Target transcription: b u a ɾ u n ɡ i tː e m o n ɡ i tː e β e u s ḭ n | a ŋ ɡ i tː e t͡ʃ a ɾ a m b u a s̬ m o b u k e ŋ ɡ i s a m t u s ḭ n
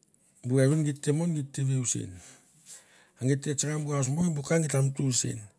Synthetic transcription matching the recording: b u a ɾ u n ɡ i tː e m o n ɡ i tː e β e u s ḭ n | a ŋ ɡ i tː e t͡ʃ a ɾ a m b u a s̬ m o b u k a ŋ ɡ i t a m t u s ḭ n